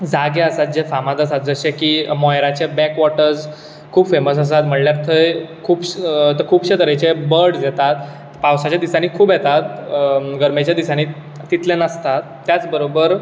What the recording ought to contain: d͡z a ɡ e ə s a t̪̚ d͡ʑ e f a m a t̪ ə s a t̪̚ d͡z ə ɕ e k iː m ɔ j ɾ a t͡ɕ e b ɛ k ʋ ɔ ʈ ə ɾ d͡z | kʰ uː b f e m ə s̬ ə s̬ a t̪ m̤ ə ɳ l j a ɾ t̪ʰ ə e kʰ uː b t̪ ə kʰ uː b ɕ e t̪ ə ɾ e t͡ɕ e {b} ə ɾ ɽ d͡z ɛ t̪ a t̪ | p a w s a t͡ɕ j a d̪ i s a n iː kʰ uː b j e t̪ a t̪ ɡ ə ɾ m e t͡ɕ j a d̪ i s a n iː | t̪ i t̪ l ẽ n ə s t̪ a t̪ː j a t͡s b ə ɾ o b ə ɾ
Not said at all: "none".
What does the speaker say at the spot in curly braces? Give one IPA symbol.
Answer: b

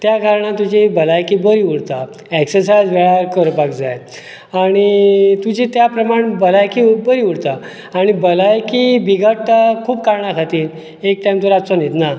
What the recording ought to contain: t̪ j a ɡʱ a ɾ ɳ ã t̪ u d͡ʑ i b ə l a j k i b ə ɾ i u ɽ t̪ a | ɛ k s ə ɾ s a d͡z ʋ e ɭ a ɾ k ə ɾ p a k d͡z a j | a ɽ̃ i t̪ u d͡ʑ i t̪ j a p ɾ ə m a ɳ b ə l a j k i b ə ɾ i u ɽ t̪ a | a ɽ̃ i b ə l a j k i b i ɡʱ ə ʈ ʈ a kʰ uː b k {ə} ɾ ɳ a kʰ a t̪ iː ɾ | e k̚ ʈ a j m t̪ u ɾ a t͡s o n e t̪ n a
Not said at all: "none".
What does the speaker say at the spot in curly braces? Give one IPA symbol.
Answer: a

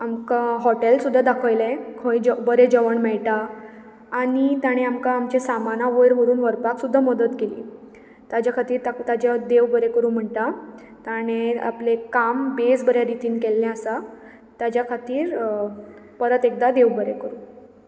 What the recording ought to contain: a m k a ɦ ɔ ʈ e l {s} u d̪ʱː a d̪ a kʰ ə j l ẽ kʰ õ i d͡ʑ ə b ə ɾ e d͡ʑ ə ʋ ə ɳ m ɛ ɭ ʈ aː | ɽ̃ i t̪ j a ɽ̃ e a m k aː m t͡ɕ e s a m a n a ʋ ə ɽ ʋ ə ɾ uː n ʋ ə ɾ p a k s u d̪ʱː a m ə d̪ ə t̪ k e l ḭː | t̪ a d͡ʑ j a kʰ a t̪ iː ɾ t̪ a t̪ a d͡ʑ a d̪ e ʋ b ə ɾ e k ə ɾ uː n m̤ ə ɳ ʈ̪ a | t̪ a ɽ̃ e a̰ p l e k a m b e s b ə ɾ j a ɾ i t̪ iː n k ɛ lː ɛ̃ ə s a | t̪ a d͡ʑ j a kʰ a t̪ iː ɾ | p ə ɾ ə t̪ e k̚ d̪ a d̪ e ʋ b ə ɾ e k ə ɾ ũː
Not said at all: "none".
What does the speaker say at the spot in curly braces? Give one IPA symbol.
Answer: s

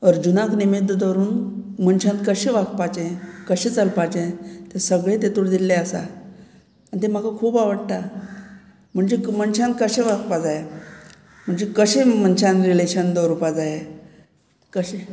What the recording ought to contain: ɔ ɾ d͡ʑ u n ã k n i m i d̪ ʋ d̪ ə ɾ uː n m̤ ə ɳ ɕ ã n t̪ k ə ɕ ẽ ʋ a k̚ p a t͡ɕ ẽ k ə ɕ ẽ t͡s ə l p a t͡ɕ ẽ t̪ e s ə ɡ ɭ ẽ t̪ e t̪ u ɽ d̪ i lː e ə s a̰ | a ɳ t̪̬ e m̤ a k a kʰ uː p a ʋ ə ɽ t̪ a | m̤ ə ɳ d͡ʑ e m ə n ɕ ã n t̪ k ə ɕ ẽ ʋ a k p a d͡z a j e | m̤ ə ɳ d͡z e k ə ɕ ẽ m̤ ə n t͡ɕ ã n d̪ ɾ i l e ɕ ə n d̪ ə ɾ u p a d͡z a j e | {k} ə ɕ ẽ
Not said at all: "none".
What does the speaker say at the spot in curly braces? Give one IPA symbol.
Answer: k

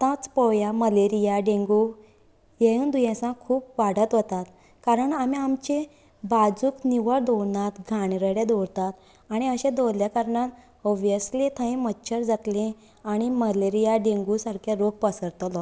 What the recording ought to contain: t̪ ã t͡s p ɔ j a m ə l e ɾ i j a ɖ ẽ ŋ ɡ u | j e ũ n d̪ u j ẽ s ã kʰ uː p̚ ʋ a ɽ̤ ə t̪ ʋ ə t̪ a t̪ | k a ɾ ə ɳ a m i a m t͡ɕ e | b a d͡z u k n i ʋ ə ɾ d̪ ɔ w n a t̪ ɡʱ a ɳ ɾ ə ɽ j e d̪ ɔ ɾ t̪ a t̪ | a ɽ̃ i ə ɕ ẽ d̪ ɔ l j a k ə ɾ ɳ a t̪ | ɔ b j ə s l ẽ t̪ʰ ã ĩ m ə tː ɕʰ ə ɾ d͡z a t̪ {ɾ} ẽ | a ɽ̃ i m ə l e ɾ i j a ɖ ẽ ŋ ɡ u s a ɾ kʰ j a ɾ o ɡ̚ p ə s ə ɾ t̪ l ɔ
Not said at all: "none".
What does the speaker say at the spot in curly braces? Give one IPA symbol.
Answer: l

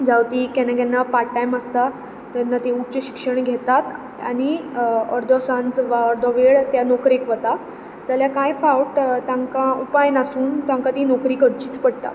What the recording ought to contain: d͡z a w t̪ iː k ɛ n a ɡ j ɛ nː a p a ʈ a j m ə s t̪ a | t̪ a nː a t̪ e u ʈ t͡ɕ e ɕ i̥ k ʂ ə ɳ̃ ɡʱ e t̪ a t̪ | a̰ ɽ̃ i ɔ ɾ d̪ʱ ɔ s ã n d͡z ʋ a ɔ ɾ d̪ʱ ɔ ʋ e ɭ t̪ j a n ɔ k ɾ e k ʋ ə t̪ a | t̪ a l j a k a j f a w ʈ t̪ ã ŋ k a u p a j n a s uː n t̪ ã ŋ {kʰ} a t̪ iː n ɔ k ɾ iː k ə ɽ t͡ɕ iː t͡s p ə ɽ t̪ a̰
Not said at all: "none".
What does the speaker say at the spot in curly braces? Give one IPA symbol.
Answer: k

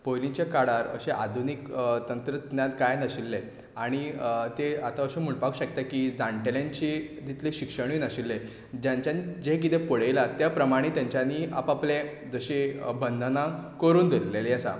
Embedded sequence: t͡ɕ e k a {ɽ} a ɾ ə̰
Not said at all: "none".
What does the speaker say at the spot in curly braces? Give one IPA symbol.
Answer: ɽ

